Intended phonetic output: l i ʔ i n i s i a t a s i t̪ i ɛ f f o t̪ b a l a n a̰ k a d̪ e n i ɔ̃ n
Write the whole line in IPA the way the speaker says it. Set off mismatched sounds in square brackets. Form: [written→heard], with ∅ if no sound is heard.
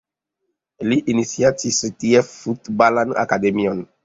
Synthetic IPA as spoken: l i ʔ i n i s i a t [a→i] s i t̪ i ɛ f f [o→u] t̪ b a l a n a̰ k a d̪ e [n→m] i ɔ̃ n